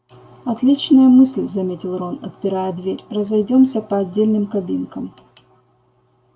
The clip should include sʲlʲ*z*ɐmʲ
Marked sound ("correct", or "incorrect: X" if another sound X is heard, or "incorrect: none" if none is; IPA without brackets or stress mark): correct